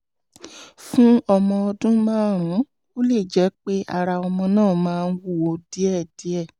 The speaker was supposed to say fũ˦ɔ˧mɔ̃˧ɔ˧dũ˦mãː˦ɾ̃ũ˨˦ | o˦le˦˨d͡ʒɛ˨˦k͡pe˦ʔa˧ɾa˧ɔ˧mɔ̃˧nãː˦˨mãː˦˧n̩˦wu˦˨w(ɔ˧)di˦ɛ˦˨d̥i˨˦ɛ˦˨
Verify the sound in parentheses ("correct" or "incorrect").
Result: incorrect